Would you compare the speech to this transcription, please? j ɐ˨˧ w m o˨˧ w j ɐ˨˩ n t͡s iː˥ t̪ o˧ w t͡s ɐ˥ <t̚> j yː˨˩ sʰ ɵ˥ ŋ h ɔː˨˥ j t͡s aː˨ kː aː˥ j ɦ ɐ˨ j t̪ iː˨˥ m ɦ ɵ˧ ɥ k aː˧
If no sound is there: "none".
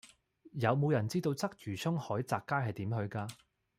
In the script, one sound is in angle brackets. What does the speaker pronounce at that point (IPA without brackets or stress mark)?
k̚